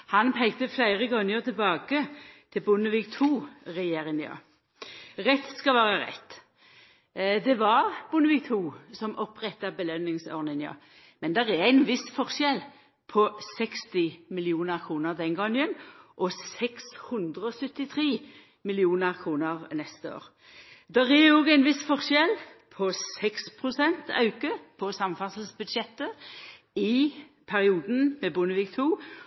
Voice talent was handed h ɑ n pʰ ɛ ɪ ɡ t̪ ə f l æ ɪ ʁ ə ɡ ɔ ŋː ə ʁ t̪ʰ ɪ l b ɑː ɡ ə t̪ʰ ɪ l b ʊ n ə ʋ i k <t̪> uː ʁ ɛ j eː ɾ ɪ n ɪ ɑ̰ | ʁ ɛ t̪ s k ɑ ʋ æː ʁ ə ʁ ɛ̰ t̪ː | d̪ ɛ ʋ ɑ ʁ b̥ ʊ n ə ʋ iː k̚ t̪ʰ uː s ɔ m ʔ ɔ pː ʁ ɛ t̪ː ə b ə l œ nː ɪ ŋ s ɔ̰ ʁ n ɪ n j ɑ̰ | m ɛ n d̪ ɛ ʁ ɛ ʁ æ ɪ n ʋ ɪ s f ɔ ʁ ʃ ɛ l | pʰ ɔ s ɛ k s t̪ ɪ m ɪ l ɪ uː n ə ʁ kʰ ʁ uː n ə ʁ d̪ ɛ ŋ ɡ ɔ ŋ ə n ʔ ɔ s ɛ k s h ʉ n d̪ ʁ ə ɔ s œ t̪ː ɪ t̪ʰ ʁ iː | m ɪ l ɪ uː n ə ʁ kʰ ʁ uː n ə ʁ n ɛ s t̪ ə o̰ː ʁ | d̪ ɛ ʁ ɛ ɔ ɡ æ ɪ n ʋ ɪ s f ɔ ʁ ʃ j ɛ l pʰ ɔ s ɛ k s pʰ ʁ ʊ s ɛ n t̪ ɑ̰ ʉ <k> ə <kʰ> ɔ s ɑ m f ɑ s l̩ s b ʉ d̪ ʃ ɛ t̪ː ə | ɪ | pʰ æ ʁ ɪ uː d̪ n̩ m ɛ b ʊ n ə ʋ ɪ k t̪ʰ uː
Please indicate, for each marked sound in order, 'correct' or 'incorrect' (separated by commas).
incorrect, correct, incorrect